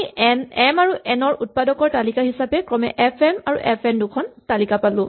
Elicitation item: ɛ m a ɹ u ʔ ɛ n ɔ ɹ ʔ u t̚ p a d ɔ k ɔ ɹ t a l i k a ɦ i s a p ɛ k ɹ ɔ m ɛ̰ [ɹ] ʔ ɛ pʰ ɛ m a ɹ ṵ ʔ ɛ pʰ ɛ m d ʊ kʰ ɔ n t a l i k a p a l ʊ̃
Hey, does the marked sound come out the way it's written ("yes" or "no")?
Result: no